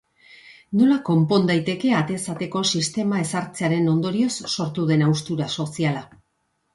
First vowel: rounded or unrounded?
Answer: rounded